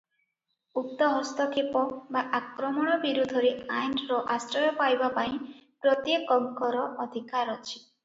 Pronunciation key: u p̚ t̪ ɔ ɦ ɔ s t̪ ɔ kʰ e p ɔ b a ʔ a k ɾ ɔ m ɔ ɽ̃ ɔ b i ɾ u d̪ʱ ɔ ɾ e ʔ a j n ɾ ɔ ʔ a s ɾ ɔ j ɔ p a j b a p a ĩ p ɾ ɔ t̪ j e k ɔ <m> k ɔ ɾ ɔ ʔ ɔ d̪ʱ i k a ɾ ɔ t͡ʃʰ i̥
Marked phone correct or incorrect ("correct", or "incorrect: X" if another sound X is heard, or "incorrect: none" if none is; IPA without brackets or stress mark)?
incorrect: ŋ